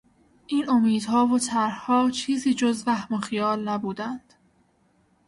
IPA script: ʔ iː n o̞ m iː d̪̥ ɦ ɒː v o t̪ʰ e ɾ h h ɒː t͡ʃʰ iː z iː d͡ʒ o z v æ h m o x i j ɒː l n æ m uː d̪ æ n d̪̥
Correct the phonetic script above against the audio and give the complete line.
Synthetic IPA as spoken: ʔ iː n o̞ m iː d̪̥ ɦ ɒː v o t̪ʰ æ ɾ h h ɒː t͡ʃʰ iː z iː d͡ʒ o z v æ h m o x i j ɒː l n æ b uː d̪ æ n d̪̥

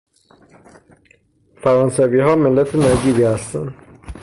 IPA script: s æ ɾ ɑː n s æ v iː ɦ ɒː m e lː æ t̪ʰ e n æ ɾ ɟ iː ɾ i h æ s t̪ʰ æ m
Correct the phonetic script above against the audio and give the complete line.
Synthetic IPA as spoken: f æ ɾ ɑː n s æ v iː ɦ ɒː m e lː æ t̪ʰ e n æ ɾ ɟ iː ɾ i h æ s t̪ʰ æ n

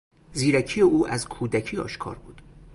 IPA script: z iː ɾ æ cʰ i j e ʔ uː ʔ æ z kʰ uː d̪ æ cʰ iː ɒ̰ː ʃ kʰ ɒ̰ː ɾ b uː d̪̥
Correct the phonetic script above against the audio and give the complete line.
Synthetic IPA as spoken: z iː ɾ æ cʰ i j e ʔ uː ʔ æ z kʰ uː d̪ æ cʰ iː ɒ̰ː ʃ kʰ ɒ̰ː ɾ b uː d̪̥

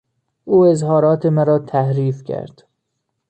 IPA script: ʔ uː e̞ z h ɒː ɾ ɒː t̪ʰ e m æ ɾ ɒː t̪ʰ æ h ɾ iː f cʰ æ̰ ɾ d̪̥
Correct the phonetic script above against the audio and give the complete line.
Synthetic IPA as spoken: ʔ uː e̞ z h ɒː ɾ ɒː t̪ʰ e m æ ɾ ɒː t̪ʰ æ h ɾ iː f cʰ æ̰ ɾ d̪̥

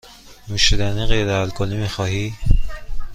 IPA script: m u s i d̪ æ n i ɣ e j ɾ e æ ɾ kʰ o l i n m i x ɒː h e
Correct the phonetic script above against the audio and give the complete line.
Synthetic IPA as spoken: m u ʃ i d̪ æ n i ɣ e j ɾ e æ l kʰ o l i m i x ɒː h i

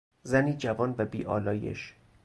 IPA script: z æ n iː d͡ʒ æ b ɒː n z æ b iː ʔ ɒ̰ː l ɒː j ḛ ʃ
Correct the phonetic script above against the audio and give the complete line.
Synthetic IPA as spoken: z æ n iː d͡ʒ æ v ɒː n v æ b iː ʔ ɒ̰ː l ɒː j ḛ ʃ

